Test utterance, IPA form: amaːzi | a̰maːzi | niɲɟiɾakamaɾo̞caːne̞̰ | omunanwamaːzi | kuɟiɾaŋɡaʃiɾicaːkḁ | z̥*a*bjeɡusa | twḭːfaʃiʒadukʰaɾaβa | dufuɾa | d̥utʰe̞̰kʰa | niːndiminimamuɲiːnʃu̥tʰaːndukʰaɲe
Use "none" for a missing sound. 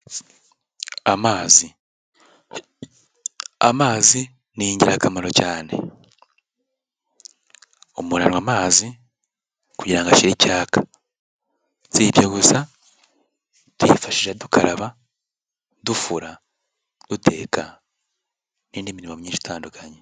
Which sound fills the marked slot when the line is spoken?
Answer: i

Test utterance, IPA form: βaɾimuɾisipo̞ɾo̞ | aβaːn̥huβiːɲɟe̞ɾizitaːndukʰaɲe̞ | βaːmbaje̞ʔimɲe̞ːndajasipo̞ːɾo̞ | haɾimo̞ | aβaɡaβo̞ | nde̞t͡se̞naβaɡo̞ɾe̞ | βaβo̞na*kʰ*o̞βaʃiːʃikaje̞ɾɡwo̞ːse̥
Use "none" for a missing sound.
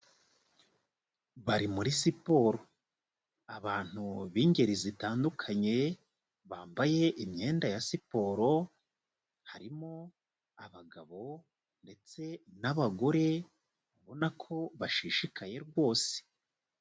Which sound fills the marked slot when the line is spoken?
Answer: kʰ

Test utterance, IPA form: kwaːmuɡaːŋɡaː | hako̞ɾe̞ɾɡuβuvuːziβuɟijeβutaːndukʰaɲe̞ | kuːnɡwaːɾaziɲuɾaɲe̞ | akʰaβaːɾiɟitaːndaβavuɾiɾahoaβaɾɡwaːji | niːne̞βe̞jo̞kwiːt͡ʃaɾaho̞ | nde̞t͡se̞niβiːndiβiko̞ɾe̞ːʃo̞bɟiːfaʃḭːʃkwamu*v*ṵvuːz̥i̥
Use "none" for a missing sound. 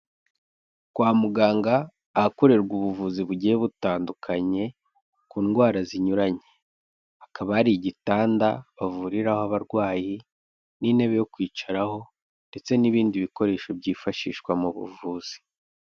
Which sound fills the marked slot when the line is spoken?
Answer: β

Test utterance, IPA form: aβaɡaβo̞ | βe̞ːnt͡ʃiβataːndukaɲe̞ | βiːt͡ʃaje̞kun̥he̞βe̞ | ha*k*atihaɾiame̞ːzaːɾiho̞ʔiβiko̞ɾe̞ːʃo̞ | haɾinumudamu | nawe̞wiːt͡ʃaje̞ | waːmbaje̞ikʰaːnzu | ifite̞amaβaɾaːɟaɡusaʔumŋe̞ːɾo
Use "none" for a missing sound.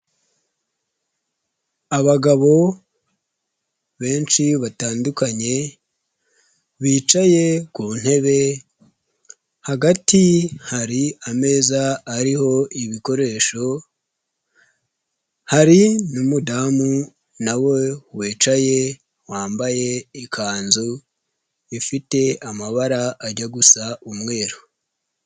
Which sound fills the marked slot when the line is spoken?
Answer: ɡ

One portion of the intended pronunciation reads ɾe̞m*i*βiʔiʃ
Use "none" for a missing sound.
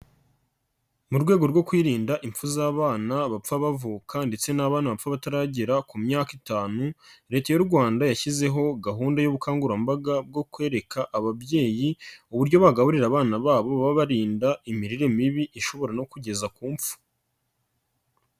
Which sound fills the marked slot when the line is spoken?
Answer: i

